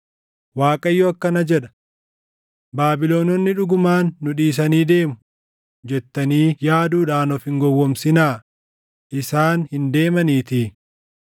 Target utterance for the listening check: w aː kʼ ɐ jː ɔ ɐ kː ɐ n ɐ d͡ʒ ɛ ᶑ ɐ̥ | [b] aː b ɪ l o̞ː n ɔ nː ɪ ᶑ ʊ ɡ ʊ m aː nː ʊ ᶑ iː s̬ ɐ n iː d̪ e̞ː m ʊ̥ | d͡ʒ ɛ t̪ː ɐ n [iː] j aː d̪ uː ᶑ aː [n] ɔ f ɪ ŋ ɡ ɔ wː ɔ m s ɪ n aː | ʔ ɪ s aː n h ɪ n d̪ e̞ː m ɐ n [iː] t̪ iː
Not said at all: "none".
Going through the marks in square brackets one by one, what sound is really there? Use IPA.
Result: b, iː, n, iː

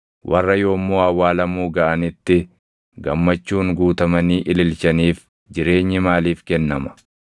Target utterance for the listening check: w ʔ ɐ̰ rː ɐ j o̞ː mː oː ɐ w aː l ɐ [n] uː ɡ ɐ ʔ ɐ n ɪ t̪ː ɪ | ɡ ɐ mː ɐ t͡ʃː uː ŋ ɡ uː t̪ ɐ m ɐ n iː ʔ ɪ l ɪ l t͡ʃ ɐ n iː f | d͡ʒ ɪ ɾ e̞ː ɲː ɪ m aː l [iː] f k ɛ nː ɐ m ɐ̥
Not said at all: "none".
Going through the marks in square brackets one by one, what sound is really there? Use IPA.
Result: m, iː

